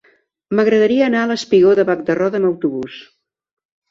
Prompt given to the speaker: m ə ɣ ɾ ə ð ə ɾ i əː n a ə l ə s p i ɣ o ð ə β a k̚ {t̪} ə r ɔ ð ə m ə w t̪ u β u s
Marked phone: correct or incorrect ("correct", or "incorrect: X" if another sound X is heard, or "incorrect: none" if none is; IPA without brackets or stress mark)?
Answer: incorrect: d̪